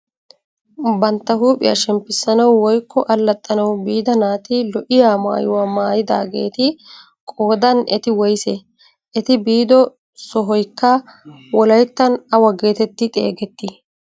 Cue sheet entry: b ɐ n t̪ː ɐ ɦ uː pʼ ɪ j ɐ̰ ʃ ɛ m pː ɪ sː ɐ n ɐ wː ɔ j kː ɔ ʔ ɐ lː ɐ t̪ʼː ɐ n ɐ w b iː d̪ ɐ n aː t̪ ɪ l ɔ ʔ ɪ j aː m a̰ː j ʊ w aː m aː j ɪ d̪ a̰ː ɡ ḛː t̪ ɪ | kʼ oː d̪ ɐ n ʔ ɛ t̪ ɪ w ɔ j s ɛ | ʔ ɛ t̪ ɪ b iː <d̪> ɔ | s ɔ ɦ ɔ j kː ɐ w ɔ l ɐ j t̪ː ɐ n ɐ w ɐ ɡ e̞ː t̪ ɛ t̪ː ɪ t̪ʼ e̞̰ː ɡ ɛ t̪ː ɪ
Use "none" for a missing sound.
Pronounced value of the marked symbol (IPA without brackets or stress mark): d̪